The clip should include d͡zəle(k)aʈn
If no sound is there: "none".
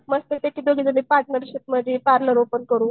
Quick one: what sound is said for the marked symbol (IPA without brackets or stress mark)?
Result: p